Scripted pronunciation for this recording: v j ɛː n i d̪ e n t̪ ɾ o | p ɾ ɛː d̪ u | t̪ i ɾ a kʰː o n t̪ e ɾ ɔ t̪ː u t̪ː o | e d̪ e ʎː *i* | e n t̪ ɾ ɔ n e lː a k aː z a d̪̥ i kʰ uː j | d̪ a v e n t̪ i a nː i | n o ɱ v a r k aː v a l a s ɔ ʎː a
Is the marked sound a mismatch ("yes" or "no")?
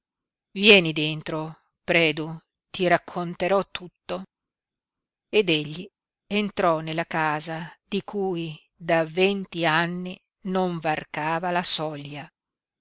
no